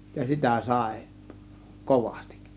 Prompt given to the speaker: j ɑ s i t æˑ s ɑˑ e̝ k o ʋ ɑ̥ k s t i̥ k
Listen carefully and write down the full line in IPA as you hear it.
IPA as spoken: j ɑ s i t æˑ s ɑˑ e̝ k o ʋ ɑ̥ s t i̥ k